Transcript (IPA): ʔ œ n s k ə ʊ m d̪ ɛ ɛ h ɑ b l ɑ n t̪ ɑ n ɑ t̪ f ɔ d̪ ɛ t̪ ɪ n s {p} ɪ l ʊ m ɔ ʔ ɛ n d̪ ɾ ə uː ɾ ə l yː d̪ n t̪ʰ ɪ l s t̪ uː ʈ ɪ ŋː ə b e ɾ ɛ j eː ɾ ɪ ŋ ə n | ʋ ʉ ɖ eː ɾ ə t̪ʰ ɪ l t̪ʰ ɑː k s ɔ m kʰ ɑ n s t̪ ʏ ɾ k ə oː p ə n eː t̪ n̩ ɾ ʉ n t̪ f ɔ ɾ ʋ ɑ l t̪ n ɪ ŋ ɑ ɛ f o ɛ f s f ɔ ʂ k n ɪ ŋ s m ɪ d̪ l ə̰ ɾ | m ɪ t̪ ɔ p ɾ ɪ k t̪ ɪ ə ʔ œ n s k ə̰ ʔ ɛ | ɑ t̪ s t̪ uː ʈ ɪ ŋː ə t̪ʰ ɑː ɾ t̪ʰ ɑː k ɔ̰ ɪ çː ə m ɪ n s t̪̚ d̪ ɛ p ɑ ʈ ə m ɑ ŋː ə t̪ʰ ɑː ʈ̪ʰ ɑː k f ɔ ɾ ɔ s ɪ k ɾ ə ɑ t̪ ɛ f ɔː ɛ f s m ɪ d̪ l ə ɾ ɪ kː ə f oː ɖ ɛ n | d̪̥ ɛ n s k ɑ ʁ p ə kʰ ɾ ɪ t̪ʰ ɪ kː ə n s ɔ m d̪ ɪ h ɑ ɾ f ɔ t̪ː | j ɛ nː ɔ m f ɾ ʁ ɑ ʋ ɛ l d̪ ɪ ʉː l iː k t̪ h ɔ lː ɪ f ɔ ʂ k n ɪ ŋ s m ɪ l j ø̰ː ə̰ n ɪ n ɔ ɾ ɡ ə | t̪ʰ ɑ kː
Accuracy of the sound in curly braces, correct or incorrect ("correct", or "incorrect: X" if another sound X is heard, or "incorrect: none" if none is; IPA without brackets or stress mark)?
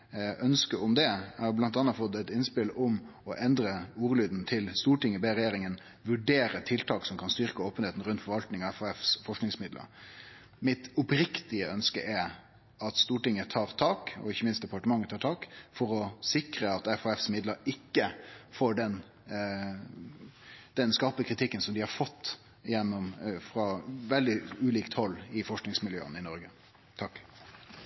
correct